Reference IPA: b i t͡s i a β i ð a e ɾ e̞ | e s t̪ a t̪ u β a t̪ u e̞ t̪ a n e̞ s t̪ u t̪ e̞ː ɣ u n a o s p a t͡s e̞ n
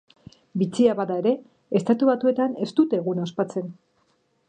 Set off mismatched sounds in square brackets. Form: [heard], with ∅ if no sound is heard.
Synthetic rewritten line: b i t͡s i a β [a] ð a e ɾ e̞ | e s t̪ a t̪ u β a t̪ u e̞ t̪ a n e̞ s t̪ u t̪ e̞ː ɣ u n a o s p a t͡s e̞ n